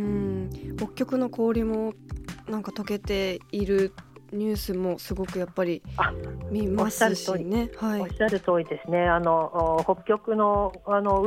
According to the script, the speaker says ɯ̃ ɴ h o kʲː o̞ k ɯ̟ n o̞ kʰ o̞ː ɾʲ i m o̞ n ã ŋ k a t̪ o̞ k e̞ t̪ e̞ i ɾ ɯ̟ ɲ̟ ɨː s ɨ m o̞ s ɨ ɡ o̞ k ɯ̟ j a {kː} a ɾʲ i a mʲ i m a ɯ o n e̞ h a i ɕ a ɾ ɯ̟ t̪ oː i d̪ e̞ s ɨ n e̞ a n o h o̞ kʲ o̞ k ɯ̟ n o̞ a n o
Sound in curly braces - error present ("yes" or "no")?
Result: yes